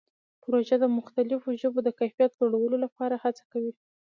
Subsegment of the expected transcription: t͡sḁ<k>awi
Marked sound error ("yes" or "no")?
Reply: no